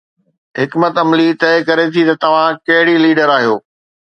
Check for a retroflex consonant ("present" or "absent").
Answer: present